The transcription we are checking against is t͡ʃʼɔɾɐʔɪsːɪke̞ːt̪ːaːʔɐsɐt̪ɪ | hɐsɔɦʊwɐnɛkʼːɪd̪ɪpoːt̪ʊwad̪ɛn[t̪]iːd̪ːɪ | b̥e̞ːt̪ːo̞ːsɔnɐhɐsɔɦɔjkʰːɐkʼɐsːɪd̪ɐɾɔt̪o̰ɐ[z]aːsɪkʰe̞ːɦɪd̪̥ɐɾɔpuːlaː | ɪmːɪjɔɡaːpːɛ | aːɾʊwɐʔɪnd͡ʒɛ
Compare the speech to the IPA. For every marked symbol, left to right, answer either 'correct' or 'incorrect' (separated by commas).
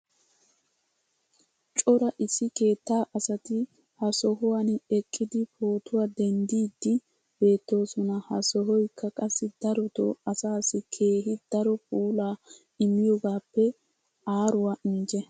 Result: incorrect, incorrect